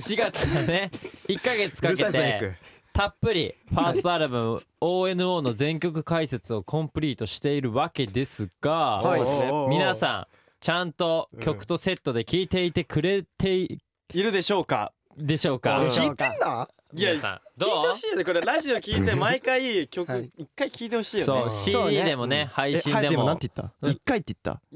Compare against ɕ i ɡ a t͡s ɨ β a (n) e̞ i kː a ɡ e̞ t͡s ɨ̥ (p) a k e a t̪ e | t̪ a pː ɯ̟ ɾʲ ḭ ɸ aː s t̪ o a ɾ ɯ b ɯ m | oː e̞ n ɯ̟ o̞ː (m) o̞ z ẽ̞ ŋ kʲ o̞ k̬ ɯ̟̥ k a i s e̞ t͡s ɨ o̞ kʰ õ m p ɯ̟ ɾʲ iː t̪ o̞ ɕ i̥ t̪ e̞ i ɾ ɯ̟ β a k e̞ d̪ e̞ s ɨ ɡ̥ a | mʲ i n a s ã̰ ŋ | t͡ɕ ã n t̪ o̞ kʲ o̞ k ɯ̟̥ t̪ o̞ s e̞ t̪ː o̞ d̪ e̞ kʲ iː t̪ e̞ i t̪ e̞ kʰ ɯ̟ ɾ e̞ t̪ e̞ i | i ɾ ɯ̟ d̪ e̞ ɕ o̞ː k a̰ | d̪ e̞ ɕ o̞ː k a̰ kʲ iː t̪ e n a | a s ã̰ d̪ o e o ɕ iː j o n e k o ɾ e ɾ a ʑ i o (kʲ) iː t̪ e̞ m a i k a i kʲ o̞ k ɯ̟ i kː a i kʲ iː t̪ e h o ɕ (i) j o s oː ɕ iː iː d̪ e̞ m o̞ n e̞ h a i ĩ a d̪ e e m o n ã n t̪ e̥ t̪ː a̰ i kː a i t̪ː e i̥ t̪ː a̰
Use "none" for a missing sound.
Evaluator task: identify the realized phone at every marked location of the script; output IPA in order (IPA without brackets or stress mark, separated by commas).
n, k, n, kʲ, iː